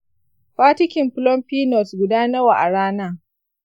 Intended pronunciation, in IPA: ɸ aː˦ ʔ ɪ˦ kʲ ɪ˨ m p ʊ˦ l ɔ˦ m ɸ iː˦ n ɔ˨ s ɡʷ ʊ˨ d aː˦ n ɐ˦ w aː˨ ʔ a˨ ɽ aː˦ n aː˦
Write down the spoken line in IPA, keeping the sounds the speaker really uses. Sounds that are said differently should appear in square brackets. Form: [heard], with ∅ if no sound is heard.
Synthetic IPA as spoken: ɸ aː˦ [t] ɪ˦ kʲ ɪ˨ m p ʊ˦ l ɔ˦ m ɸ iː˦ n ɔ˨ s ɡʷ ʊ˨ d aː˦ n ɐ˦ w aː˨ ʔ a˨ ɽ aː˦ n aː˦